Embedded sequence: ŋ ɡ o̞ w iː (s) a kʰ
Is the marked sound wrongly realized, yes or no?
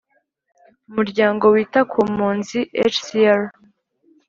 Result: yes